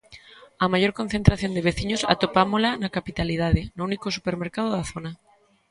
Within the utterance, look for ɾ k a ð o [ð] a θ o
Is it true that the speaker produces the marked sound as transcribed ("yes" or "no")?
yes